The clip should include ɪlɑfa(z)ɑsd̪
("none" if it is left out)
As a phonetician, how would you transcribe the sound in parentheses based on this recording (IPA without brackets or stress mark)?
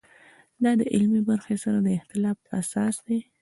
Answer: s